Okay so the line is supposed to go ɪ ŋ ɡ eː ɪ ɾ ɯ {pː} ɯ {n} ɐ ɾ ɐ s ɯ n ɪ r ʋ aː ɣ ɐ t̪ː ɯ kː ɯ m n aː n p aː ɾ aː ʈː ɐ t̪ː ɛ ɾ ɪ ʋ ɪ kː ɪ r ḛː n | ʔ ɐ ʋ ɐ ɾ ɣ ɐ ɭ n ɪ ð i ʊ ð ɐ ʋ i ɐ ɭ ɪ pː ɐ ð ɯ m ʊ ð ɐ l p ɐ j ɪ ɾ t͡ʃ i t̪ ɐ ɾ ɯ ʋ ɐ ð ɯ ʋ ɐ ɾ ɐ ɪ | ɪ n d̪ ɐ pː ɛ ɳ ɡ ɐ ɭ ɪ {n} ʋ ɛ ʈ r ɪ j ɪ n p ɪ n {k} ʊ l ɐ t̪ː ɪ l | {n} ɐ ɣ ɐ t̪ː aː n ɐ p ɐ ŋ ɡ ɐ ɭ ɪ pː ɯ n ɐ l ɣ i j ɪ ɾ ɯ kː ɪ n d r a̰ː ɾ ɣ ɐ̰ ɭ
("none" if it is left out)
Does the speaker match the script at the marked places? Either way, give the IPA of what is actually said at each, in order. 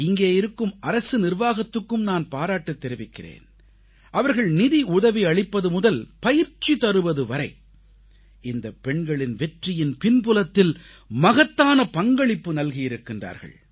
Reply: kː, m, n, p, m

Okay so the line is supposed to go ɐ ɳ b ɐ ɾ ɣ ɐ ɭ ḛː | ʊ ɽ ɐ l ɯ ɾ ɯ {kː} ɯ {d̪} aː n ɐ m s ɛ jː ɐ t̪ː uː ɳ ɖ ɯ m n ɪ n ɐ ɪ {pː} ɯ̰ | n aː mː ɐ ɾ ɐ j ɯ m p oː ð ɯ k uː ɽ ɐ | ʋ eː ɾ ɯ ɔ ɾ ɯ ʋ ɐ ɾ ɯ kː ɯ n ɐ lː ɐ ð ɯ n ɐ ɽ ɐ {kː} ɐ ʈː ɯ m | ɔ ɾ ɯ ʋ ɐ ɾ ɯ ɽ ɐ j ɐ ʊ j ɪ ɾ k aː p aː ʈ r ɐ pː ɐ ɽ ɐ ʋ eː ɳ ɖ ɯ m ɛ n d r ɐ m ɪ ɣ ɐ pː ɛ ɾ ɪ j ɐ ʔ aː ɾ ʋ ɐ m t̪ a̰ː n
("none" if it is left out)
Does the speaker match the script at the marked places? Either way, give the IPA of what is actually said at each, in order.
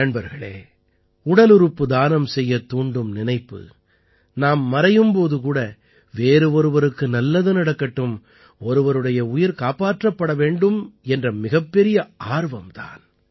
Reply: pː, d̪, pː, kː

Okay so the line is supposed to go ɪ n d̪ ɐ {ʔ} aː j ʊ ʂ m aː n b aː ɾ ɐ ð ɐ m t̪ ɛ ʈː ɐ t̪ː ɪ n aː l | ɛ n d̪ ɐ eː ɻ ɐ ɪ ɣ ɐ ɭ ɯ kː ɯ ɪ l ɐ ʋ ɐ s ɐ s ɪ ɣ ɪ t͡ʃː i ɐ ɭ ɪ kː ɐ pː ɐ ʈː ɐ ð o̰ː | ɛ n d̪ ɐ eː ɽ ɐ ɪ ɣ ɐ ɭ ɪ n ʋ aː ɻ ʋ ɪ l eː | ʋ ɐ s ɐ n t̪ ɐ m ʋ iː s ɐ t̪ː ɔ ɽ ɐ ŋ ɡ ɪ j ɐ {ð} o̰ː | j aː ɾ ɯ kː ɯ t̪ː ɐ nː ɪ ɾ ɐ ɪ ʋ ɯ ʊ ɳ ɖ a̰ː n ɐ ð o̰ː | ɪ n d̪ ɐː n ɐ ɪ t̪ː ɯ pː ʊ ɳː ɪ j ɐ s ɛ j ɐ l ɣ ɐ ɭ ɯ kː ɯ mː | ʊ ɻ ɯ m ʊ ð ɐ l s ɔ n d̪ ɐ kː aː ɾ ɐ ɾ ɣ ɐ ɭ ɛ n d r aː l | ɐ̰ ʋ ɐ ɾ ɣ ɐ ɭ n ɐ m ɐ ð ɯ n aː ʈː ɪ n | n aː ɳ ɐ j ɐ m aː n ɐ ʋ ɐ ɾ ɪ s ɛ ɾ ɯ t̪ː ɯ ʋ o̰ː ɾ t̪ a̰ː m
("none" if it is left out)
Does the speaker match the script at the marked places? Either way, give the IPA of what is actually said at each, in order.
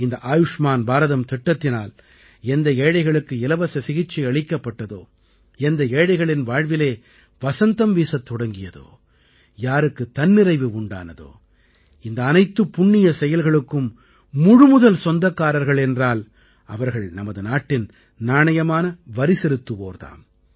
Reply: ʔ, ð

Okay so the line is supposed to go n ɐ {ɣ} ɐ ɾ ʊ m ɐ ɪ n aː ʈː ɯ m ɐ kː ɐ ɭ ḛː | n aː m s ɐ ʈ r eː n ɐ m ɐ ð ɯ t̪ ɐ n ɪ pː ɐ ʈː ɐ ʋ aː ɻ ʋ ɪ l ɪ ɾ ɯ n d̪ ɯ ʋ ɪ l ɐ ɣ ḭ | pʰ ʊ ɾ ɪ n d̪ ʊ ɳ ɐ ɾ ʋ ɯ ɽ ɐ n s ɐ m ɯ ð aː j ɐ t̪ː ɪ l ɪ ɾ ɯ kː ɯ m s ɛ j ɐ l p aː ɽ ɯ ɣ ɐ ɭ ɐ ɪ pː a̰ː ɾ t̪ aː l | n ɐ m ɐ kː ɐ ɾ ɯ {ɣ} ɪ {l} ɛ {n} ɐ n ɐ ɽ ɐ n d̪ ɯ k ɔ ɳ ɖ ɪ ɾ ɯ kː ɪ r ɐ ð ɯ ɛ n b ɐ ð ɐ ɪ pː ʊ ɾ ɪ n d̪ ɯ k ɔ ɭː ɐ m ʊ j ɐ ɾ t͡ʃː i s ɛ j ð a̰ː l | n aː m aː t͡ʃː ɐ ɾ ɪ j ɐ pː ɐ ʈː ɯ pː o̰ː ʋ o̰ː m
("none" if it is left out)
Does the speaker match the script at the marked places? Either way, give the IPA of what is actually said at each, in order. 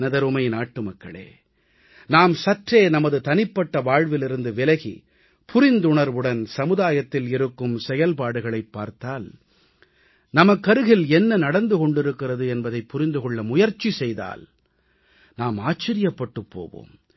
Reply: ð, ɣ, l, nː

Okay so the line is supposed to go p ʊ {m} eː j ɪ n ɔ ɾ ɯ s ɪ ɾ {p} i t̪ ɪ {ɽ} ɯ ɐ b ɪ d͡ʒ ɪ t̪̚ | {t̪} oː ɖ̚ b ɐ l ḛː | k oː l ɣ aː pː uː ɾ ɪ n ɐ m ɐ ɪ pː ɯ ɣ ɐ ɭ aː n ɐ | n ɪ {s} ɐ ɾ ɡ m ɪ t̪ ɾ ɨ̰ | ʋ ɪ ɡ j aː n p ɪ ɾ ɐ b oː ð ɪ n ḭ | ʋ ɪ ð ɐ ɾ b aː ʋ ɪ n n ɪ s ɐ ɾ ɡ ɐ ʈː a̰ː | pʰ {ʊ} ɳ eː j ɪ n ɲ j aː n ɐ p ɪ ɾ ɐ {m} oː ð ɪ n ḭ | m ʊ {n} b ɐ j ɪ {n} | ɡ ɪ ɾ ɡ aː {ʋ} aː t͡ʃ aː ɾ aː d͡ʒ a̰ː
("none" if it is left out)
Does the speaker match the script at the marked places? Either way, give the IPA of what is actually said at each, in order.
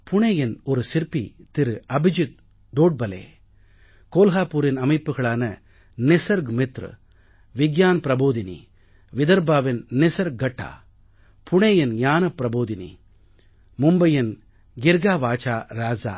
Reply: ɳ, p, ɾ, d̪, s, ʊ, b, m, n, ʋ

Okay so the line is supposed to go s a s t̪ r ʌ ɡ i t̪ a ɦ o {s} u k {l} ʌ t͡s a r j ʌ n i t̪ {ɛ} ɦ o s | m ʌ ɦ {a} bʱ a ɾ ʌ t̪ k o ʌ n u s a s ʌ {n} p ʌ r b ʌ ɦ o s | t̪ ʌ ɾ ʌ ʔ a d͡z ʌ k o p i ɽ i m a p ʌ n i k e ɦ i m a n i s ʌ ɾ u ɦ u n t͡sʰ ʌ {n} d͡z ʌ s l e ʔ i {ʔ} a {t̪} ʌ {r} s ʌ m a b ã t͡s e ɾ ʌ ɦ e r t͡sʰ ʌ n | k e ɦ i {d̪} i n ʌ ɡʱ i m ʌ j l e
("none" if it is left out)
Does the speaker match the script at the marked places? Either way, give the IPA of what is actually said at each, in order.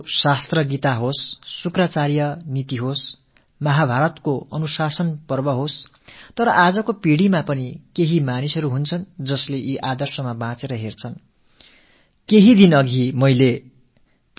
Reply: sː, r, i, a, n, n, ʔ, d̪, r, d̪

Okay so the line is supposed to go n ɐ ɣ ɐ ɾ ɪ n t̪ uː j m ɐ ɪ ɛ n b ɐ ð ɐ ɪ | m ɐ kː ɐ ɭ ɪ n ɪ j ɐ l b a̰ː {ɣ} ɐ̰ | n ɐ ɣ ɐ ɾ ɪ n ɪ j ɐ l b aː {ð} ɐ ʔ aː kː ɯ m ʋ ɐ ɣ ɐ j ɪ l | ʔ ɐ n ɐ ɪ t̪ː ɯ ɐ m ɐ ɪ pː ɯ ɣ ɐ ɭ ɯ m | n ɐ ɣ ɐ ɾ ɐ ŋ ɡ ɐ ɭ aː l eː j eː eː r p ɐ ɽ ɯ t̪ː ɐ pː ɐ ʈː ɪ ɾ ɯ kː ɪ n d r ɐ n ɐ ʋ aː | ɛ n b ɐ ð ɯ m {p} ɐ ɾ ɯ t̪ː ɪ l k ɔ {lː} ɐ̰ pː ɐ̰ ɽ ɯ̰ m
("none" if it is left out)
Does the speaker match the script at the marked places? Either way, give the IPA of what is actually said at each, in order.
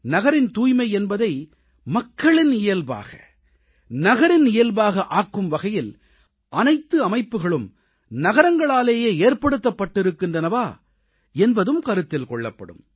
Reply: ɣ, ɣ, k, ɭː

